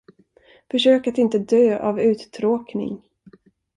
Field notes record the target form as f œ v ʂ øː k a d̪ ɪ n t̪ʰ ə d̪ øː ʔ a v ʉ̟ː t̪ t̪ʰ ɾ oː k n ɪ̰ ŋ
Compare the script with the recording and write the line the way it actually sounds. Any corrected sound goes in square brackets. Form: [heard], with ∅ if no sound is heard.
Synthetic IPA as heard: f œ [∅] ʂ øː k a [t̪] ɪ n [t̪] ə d̪ øː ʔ a v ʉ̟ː t̪ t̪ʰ ɾ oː k n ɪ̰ ŋ